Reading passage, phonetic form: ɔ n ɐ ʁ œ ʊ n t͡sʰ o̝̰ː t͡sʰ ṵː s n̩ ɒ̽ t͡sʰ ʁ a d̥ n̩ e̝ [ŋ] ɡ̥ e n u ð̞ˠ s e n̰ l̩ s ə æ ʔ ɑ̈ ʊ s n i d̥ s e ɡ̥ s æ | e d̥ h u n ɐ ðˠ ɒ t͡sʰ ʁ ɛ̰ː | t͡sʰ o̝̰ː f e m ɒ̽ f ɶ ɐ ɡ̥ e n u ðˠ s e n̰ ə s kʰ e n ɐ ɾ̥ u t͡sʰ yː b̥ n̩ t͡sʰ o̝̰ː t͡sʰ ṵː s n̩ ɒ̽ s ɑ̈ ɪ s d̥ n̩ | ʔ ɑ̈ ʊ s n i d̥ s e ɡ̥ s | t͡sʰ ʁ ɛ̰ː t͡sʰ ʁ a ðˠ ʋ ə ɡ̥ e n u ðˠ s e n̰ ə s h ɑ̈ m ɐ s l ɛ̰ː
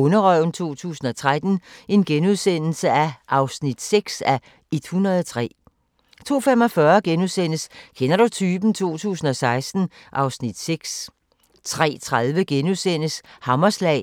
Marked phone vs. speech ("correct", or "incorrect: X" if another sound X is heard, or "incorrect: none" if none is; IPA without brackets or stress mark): incorrect: n